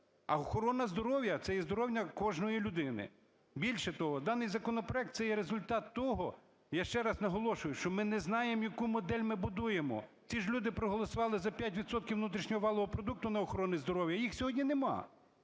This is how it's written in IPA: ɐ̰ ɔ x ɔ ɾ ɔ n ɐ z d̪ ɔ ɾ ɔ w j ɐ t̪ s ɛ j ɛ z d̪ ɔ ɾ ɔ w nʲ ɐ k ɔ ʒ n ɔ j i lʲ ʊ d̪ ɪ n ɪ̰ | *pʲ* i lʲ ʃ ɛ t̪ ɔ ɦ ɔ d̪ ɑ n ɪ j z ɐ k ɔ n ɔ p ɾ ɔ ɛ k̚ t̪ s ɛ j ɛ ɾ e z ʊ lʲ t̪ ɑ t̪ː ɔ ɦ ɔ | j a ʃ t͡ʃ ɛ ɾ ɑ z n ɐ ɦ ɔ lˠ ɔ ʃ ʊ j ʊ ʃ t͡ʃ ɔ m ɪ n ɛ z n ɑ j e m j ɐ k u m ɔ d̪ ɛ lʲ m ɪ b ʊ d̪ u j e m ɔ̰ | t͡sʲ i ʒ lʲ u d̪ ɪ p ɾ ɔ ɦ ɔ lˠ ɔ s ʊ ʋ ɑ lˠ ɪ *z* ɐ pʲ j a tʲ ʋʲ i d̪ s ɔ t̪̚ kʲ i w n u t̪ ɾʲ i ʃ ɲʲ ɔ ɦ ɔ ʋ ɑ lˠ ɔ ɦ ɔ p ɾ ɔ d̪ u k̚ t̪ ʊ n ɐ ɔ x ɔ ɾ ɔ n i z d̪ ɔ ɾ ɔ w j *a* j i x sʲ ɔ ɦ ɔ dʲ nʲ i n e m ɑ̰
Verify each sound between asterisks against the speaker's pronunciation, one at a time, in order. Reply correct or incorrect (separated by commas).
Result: incorrect, correct, incorrect